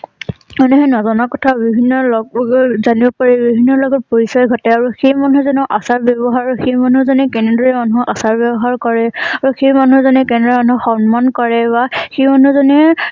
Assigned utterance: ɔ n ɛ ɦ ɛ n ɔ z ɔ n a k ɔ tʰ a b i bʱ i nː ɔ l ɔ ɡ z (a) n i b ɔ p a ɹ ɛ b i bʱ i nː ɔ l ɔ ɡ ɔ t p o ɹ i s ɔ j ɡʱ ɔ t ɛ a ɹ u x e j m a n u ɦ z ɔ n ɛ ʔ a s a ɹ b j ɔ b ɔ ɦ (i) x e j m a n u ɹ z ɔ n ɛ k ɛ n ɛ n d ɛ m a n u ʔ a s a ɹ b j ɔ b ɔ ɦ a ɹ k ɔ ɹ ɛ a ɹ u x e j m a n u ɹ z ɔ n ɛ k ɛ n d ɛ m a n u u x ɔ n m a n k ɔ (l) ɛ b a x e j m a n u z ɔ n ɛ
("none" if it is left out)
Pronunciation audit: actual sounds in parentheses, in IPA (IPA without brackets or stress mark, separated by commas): a, a, ɹ